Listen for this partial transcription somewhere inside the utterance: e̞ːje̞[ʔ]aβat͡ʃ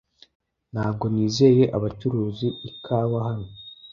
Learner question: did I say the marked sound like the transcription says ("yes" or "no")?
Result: yes